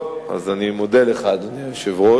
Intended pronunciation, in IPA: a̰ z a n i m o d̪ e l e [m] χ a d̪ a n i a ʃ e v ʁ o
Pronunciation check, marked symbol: incorrect: none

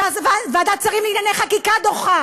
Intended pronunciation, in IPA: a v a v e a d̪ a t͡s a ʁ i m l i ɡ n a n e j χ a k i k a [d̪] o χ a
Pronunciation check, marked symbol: correct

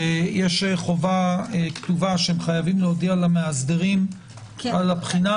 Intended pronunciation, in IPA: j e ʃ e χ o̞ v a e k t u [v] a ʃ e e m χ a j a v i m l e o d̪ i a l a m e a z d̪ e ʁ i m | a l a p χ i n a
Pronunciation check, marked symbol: correct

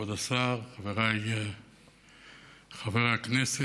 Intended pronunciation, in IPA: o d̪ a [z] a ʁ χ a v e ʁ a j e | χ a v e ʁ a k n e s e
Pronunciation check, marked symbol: incorrect: s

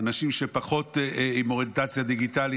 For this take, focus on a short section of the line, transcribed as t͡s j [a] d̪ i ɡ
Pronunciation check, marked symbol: correct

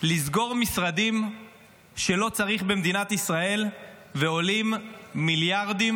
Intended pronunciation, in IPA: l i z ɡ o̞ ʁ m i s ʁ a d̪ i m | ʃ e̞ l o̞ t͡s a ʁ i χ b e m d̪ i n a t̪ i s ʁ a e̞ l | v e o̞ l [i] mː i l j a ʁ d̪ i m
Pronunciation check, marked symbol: correct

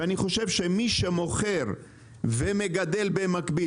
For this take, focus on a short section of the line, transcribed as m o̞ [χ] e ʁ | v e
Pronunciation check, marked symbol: correct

